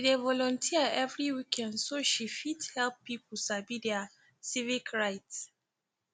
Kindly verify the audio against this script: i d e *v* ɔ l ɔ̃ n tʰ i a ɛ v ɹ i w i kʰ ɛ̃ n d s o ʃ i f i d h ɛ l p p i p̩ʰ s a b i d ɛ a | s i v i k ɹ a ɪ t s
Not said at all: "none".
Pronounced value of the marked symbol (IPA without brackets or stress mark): v